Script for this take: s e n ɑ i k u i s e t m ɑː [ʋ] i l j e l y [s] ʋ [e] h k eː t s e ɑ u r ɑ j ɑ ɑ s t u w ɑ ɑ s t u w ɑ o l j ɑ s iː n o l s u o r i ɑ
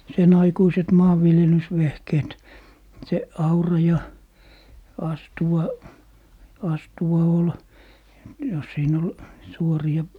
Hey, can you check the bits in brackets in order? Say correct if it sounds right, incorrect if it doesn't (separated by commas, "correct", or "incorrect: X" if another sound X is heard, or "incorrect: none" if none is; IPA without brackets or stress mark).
incorrect: ʋː, correct, correct